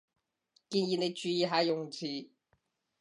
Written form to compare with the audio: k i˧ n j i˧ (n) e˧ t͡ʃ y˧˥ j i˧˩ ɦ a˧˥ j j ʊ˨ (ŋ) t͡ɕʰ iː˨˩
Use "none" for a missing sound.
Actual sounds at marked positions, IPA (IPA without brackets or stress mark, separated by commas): n, ŋ